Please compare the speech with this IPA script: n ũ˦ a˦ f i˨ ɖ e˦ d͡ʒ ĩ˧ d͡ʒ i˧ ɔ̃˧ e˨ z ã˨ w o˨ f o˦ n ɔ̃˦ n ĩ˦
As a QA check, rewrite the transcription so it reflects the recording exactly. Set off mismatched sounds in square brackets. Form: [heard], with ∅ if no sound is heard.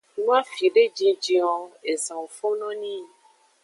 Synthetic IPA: n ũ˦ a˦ f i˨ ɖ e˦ d͡ʒ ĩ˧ d͡ʒ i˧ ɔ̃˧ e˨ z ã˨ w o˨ f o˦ n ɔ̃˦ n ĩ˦